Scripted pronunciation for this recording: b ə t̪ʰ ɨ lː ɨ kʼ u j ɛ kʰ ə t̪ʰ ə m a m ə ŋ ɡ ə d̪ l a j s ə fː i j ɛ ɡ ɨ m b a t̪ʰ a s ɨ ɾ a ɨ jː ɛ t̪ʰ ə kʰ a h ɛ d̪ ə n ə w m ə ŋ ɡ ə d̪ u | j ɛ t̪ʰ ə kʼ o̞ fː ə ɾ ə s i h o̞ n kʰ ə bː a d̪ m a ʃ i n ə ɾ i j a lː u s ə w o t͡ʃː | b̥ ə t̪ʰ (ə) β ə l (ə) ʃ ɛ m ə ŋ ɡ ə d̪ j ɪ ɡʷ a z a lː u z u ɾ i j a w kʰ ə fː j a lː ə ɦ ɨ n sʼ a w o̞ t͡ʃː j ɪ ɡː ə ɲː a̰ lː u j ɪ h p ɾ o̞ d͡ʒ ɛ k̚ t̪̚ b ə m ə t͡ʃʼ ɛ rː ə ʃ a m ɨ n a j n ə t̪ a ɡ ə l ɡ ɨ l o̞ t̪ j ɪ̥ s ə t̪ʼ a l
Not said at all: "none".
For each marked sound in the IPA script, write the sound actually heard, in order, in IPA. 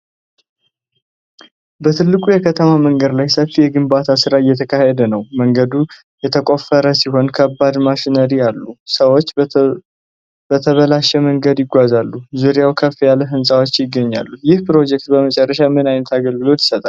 ə, a

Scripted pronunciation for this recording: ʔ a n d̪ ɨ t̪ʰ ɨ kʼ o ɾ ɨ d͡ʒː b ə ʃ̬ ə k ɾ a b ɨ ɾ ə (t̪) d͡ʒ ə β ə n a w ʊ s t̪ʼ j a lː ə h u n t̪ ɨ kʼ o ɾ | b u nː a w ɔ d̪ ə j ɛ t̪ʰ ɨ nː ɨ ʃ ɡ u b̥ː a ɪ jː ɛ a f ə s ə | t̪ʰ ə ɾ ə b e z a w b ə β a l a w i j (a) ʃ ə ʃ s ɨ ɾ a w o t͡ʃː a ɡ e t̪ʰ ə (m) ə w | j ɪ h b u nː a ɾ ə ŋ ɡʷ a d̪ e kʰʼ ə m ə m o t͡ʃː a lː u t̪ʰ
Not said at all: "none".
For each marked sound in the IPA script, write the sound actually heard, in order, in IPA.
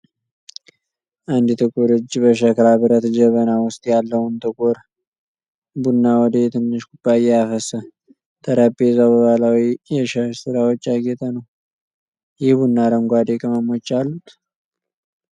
t̪, ɛ, n

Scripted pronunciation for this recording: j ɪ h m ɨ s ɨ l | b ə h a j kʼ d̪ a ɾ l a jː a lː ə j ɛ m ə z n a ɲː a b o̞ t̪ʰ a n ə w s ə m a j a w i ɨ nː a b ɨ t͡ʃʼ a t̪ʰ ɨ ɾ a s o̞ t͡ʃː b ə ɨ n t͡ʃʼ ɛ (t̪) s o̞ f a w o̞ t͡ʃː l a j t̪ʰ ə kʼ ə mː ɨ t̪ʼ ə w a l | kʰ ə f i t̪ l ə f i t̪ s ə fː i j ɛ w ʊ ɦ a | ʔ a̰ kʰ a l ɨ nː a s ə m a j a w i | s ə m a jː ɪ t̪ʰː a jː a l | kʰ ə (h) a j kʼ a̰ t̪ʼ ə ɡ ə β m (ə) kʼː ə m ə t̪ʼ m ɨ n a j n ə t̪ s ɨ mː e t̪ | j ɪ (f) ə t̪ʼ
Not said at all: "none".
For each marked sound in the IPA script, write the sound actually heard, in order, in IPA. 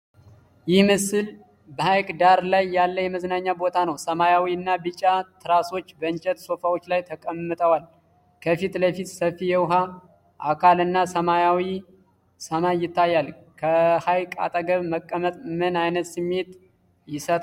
t̪, h, ə, s

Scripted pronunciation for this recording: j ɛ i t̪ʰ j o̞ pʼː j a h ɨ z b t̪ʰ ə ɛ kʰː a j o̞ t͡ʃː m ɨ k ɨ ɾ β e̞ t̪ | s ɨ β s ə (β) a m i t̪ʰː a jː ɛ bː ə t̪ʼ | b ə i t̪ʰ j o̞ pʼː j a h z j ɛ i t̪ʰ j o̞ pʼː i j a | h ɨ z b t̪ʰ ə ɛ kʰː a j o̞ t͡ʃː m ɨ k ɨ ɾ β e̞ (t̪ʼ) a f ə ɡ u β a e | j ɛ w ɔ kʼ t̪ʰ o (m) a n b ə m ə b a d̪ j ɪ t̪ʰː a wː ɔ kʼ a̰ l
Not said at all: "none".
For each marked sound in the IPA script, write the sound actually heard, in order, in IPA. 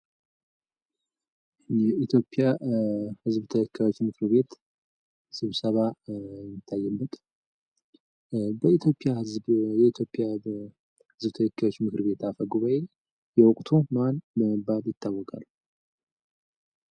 β, t̪, m

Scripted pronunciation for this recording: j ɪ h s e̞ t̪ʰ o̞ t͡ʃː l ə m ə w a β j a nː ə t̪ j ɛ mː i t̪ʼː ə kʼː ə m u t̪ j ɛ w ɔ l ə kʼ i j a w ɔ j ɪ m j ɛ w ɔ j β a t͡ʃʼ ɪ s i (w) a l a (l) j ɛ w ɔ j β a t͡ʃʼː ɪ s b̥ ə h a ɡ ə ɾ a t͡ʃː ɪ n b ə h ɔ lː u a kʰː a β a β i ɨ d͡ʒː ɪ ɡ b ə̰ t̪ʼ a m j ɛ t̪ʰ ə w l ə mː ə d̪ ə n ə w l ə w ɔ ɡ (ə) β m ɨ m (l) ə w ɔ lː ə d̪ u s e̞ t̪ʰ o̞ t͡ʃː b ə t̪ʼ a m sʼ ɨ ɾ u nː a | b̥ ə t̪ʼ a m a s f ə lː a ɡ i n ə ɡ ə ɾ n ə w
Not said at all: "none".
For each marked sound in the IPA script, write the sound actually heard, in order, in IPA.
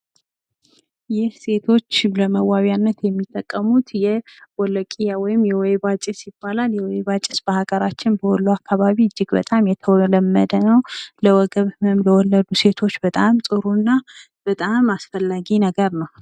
b, l, ə, l

